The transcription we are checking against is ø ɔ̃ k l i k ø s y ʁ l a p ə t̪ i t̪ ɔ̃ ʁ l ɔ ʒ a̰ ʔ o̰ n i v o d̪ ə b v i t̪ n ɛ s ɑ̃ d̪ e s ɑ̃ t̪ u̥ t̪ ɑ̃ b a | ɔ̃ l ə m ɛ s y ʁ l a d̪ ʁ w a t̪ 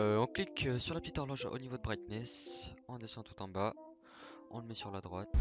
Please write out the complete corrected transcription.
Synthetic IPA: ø ɔ̃ k l i k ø s y ʁ l a p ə t̪ i t̪ ɔ ʁ l ɔ ʒ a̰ ʔ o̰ n i v o d̪ ə b ʁ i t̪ n ɛ s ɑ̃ d̪ e s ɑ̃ t̪ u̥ t̪ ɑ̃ b a | ɔ̃ l ə m ɛ s y ʁ l a d̪ ʁ w a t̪